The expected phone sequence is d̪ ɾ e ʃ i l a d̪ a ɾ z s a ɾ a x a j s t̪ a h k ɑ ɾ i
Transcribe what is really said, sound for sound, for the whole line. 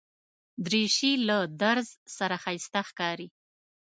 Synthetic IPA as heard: d̪ ɾ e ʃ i l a d̪ a ɾ z s a ɾ a x a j s t̪ a x k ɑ ɾ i